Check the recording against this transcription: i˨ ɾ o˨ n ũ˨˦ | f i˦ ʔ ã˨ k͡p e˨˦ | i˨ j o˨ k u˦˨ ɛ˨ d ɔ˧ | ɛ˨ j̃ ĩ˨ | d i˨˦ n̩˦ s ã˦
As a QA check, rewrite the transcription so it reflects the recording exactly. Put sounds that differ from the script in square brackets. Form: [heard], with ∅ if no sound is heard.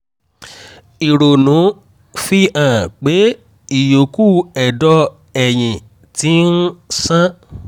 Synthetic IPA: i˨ ɾ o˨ n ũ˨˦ | f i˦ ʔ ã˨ k͡p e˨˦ | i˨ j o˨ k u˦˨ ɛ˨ d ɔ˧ | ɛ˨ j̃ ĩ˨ | [t] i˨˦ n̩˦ s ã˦